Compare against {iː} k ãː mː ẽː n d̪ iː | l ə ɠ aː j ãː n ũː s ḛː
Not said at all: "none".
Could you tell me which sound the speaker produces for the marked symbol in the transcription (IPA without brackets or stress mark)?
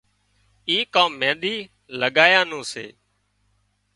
iː